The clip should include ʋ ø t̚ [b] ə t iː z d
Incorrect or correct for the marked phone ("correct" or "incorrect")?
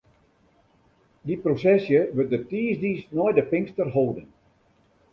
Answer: incorrect